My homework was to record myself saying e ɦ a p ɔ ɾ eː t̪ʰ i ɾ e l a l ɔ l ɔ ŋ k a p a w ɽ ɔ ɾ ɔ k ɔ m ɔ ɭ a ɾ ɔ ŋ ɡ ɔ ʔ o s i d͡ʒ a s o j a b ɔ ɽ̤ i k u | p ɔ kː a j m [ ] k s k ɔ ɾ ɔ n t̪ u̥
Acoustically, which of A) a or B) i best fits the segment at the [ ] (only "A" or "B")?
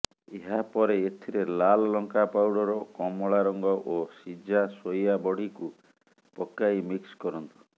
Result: B